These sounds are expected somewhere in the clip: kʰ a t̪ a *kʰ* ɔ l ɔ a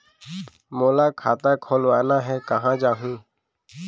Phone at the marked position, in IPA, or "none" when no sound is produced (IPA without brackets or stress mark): kʰ